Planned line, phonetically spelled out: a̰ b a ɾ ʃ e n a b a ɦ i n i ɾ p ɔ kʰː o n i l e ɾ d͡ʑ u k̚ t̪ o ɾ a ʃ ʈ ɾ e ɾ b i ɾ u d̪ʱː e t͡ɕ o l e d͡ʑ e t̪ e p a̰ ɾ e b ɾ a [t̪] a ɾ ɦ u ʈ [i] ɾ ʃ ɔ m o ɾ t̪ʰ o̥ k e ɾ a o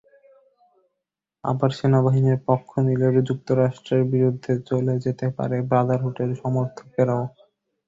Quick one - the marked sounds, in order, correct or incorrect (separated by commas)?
incorrect, incorrect